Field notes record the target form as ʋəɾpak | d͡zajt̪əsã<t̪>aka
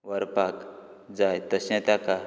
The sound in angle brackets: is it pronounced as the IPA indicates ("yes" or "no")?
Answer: yes